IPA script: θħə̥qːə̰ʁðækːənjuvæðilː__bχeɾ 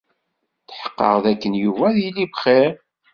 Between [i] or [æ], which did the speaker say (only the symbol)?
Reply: i